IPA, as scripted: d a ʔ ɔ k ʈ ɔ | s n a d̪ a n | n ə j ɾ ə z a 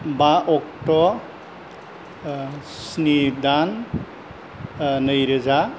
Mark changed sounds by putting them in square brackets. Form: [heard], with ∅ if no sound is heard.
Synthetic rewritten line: [b] a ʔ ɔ k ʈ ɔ | s n [i] d̪ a n | n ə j ɾ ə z a